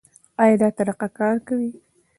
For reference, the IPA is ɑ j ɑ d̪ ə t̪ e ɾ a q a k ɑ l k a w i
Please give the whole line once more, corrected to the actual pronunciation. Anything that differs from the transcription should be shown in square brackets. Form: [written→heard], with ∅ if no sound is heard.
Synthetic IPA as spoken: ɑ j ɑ d̪ [ə→ɑ] t̪ [e→a] ɾ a q a k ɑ [l→ɾ] k a w i